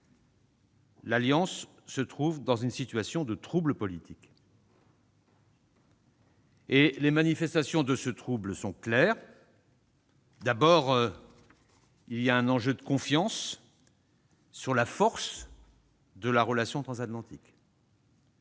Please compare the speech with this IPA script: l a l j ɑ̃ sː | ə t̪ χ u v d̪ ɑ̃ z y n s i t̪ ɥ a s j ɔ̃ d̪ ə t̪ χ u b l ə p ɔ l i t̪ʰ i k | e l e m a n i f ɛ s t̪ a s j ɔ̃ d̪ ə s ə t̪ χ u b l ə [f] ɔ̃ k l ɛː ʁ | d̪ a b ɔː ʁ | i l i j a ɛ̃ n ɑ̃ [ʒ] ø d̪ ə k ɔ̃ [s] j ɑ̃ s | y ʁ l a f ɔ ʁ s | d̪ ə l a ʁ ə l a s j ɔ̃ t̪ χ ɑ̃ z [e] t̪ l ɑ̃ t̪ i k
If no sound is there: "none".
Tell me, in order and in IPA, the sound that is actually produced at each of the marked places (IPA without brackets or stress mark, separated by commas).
s, ʒ, f, a